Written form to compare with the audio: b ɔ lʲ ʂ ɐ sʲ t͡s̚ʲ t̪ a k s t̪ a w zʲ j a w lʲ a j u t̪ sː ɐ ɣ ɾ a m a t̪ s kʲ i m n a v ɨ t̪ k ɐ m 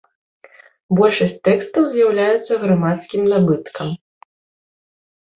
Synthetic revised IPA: b ɔ lʲ ʂ ɐ sʲ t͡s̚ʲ t̪ ɛ k s t̪ ɐ w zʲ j a w lʲ a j u t̪ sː ɐ ɣ ɾ a m a t̪ s kʲ i m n a b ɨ t̪ k ɐ m